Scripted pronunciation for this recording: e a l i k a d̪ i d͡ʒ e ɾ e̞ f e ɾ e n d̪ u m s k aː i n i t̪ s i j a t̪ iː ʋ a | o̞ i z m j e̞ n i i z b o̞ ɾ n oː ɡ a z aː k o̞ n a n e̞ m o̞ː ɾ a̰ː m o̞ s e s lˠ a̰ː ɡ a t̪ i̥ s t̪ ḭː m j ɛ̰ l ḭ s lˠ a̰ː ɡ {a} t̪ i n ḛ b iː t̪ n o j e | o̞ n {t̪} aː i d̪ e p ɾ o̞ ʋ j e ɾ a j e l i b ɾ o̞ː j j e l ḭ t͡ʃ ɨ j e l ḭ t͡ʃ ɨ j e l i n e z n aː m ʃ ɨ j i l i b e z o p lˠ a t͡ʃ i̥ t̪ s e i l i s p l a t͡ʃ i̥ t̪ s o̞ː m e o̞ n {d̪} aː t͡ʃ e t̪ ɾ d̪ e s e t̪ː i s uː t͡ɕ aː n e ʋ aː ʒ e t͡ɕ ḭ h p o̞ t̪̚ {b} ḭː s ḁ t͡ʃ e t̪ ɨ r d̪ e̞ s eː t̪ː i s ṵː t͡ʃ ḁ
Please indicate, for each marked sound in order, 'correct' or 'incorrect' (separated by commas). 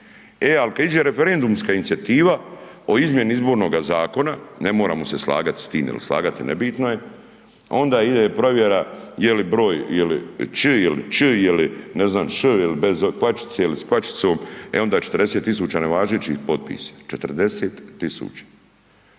correct, incorrect, correct, incorrect